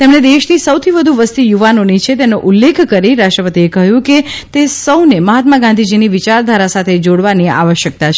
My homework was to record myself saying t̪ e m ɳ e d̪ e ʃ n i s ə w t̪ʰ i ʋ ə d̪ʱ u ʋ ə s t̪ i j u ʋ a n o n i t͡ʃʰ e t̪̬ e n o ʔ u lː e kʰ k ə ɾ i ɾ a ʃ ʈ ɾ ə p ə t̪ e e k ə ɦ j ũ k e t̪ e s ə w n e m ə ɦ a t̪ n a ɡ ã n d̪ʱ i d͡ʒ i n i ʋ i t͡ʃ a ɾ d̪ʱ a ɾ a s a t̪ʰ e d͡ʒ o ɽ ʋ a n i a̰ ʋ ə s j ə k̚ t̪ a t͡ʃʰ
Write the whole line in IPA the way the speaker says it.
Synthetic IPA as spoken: t̪ e m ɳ e d̪ e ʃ n i s ə w t̪ʰ i ʋ ə d̪ʱ u ʋ ə s t̪ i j u ʋ a n o n i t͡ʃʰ e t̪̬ e n o ʔ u lː e kʰ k ə ɾ i ɾ a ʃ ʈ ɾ ə p ə t̪ i e k ə ɦ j ũ k e t̪ e s ə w n e m ə ɦ a t̪ m a ɡ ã n d̪ʱ i d͡ʒ i n i ʋ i t͡ʃ a ɾ d̪ʱ a ɾ a s a t̪ʰ e d͡ʒ o ɽ ʋ a n i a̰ ʋ ə ʃ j ə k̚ t̪ a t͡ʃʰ